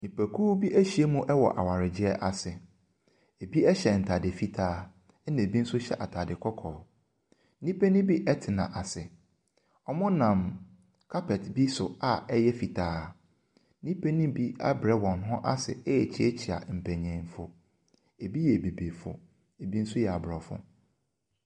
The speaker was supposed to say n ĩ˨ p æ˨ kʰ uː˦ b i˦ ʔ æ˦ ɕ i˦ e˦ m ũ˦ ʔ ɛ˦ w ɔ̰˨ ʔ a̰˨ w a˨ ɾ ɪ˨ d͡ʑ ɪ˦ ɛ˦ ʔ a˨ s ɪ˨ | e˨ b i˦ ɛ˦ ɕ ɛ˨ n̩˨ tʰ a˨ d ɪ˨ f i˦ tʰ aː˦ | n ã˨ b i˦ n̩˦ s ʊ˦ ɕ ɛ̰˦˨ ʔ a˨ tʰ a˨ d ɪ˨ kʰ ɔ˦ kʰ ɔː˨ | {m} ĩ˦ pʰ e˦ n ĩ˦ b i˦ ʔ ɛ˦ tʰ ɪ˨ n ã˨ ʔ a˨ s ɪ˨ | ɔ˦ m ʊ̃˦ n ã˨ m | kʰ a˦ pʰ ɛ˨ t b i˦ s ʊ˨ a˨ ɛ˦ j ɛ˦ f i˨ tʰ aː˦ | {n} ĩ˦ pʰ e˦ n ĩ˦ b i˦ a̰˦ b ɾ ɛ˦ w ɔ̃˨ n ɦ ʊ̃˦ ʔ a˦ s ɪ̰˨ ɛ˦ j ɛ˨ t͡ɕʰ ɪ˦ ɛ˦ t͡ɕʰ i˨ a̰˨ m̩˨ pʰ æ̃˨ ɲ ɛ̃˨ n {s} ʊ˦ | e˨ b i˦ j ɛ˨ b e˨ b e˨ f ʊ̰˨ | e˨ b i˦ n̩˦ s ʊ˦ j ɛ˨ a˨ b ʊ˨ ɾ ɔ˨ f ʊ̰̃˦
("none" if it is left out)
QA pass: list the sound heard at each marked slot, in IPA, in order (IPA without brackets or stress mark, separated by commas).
n, n, f